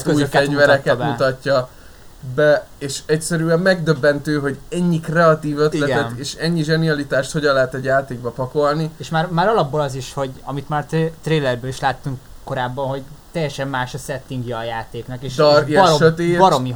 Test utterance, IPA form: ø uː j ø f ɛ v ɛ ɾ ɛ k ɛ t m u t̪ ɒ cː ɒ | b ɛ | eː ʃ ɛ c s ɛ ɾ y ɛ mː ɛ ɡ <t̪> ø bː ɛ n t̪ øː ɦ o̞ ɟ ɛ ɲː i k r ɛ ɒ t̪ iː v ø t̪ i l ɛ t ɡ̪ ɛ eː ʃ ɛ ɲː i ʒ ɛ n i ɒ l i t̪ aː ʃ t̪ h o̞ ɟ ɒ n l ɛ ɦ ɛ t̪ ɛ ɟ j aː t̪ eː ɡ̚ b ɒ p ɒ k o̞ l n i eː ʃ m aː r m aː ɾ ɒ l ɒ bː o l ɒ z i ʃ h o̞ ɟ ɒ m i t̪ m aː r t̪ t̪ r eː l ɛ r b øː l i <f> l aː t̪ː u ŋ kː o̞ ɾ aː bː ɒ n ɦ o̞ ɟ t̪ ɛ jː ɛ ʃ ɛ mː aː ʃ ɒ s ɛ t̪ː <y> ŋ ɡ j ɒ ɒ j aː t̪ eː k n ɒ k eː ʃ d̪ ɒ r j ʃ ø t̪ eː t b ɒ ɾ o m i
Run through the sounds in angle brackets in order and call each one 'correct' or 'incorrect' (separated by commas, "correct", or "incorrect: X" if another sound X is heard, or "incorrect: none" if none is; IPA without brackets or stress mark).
incorrect: d̪, incorrect: ʃ, incorrect: i